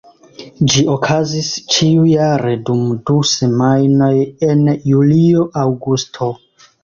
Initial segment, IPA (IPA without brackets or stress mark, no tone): d͡ʒ